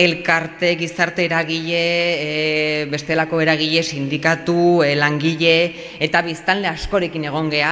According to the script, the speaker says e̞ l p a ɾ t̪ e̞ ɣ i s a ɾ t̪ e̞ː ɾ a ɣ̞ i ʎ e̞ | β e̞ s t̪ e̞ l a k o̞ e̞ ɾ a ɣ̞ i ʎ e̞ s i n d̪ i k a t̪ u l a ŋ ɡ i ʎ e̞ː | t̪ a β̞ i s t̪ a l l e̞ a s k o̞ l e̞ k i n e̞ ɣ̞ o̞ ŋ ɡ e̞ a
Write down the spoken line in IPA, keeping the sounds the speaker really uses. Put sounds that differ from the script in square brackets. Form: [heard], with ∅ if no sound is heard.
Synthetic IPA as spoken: e̞ l [k] a ɾ t̪ e̞ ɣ i s a ɾ t̪ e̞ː ɾ a ɣ̞ i ʎ e̞ | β e̞ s t̪ e̞ l a k o̞ e̞ ɾ a ɣ̞ i ʎ e̞ s i n d̪ i k a t̪ u l a ŋ ɡ i ʎ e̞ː | t̪ a β̞ i s t̪ a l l e̞ a s k o̞ [ɾ] e̞ k i n e̞ ɣ̞ o̞ ŋ ɡ e̞ a